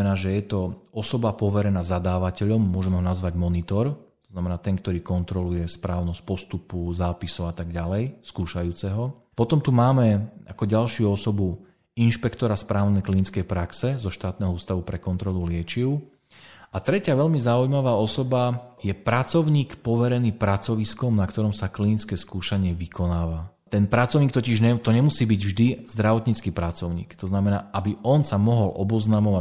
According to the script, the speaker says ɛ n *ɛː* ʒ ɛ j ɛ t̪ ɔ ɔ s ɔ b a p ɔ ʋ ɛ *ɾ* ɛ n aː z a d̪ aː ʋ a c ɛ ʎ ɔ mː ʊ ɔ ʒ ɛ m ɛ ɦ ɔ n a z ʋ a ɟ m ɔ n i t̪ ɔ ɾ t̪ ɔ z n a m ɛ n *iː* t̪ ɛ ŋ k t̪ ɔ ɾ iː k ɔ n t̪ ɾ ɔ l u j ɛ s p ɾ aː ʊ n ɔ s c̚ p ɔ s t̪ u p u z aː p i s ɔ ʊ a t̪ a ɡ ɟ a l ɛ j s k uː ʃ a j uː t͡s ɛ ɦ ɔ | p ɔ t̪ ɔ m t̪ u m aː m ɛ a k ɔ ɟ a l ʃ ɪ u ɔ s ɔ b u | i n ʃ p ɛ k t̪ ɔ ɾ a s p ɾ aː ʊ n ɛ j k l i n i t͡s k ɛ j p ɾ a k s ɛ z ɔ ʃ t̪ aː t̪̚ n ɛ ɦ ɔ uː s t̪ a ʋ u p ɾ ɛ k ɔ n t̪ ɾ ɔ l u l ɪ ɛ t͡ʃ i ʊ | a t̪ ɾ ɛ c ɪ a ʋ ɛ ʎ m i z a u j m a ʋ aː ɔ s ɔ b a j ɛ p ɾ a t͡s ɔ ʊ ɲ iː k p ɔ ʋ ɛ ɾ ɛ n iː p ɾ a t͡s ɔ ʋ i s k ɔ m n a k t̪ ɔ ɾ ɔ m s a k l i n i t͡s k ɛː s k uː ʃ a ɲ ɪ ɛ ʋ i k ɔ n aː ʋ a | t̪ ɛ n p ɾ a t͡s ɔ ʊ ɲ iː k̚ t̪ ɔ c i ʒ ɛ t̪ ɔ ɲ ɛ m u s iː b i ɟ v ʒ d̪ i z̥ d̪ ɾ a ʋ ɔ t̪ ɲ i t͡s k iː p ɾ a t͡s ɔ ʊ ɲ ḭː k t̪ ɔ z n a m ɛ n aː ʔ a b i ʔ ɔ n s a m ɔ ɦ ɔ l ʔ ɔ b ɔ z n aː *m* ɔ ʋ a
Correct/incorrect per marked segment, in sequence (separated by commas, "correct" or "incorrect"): incorrect, correct, incorrect, correct